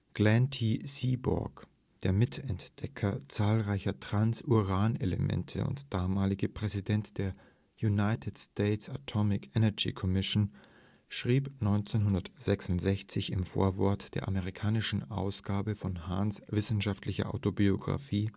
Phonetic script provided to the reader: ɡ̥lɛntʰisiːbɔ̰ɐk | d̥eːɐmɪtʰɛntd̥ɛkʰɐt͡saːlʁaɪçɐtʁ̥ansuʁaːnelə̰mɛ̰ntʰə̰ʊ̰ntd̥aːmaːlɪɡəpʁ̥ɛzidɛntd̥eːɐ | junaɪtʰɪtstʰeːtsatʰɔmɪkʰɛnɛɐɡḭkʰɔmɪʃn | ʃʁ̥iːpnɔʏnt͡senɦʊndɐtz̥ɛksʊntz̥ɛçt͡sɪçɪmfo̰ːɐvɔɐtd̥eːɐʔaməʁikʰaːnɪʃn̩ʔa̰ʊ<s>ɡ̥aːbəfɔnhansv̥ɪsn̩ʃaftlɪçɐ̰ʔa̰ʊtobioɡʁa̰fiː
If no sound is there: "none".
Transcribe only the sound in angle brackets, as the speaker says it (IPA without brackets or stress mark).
s